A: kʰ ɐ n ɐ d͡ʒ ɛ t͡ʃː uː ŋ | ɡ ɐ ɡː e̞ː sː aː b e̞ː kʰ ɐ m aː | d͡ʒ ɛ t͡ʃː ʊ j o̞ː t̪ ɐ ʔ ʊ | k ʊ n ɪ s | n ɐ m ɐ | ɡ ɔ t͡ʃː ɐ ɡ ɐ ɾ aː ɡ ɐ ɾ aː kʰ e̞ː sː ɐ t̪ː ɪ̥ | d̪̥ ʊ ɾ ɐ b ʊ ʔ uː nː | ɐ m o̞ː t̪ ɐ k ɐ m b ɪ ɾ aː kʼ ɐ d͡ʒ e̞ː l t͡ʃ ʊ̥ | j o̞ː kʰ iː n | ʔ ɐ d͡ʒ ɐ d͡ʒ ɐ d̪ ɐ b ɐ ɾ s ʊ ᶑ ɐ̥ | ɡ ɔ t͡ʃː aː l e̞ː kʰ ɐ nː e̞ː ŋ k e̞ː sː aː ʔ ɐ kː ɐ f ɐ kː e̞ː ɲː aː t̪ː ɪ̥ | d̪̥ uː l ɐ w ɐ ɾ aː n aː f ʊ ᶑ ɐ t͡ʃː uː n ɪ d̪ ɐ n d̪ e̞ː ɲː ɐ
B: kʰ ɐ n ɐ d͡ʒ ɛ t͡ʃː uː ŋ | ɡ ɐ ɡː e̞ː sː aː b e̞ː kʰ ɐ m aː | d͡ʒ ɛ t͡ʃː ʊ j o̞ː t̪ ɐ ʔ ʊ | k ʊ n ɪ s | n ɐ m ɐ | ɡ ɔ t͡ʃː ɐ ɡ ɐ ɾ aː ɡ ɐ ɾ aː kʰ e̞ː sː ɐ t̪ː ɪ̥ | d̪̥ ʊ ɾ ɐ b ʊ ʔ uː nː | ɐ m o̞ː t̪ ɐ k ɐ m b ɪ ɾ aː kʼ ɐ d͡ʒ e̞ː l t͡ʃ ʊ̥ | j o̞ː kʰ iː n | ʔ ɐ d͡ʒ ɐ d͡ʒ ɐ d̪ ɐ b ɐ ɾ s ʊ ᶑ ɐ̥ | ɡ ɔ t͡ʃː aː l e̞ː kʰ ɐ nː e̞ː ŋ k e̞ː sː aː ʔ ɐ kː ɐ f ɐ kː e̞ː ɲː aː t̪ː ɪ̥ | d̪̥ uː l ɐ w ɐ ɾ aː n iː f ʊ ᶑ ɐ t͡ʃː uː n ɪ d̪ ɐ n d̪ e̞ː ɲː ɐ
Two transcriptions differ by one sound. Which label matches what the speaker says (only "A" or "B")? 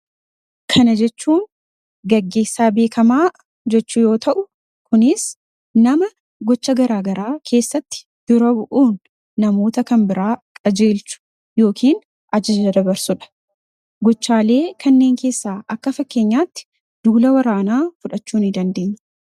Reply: A